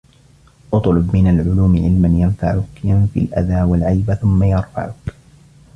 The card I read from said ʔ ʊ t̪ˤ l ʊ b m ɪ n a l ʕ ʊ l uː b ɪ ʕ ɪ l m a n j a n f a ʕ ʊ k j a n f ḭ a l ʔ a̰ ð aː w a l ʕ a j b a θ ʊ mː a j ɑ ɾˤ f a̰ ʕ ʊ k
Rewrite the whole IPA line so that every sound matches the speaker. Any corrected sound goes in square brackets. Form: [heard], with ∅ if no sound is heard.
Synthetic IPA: ʔ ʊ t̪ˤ l ʊ b m ɪ n a l ʕ ʊ l uː [m] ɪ ʕ ɪ l m a n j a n f a ʕ ʊ k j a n f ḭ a l ʔ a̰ ð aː w a l ʕ a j b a θ ʊ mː a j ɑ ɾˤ f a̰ ʕ ʊ k